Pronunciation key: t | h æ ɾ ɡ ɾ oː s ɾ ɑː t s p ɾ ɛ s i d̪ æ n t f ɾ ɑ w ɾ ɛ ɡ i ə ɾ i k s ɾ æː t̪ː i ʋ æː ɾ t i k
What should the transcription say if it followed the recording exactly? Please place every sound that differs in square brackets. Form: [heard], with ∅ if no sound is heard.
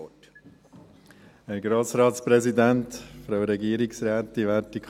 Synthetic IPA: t | h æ ɾ ɡ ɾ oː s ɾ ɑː t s p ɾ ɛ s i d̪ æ n t f ɾ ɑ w ɾ ɛ ɡ i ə ɾ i k s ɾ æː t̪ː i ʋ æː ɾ t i k